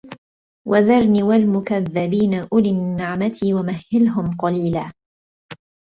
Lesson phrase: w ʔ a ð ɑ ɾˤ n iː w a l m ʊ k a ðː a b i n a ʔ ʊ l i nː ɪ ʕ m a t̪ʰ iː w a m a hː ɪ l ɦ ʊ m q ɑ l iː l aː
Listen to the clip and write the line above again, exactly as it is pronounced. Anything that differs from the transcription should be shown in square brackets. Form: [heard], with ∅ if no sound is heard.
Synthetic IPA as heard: w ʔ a ð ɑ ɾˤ n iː w a l m ʊ k a ðː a b [iː] n a ʔ ʊ l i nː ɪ ʕ m a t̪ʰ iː w a m a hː ɪ l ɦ ʊ m q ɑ l iː l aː